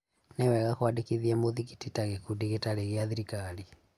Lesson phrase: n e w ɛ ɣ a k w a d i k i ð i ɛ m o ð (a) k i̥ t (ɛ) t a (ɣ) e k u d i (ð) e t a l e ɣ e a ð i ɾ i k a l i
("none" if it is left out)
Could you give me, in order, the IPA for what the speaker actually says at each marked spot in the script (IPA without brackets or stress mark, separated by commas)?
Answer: i, i, ɣ, ɣ